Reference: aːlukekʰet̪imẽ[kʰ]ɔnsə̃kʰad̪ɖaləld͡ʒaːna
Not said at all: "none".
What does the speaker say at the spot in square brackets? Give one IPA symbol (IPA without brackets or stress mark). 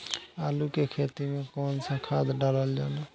k